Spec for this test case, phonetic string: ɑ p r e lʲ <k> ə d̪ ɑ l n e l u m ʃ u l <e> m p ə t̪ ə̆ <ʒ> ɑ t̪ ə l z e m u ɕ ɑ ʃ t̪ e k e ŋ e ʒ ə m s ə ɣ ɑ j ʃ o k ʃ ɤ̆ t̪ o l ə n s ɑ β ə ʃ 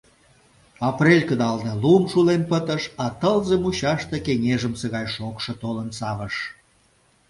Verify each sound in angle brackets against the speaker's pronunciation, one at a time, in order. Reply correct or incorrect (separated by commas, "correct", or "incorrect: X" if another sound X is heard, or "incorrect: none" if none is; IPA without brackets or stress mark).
correct, correct, incorrect: ʃ